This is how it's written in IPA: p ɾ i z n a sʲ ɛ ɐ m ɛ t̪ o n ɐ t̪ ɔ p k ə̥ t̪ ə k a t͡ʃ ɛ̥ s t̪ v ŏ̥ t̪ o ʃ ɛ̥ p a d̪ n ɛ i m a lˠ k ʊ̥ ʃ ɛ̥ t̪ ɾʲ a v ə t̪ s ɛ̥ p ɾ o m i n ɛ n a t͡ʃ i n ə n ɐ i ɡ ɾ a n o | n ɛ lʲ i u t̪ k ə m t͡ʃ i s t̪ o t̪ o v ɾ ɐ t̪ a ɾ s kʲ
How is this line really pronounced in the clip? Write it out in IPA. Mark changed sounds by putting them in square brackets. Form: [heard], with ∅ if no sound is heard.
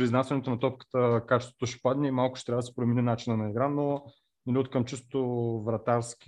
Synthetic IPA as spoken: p ɾ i z n a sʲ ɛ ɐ [n] ɛ t̪ o n ɐ t̪ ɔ p k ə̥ t̪ ə k a t͡ʃ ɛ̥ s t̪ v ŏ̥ t̪ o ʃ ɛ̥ p a d̪ n ɛ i m a lˠ k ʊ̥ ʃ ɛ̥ t̪ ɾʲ a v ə [d̪] s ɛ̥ p ɾ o m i n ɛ n a t͡ʃ i n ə n ɐ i ɡ ɾ a n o | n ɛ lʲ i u t̪ k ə m t͡ʃ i s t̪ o t̪ o v ɾ ɐ t̪ a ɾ s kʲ